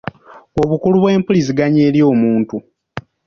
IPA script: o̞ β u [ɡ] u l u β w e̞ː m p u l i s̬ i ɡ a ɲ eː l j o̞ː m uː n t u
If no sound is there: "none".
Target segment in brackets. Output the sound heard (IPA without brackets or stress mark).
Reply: k